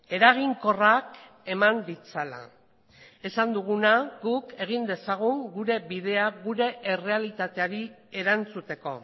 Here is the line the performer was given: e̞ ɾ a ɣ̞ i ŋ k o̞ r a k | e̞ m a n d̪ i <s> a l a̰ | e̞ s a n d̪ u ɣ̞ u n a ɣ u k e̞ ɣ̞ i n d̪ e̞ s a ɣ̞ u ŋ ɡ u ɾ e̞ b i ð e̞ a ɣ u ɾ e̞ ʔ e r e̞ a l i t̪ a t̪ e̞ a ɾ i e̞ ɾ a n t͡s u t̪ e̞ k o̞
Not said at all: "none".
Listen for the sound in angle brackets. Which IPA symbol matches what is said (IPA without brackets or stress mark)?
t͡s